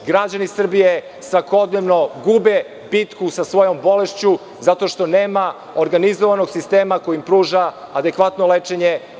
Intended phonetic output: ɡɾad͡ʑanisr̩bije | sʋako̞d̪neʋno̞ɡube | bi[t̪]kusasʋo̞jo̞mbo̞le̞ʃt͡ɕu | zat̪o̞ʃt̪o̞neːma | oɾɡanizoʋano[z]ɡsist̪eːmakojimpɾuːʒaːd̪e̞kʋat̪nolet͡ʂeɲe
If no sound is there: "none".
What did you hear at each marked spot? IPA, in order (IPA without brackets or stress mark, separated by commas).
t̪, none